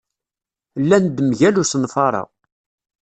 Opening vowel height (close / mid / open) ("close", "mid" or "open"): open